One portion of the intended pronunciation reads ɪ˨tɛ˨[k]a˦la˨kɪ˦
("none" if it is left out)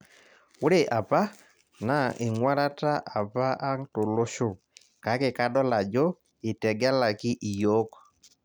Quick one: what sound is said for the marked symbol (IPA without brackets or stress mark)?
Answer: ɡ